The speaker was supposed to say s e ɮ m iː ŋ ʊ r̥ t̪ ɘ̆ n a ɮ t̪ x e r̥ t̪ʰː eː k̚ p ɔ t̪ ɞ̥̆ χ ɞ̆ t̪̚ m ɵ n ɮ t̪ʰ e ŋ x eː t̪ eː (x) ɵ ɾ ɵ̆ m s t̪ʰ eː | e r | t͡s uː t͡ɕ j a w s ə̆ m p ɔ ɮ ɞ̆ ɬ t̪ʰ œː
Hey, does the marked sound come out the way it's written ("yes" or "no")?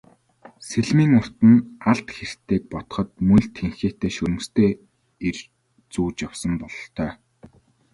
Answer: no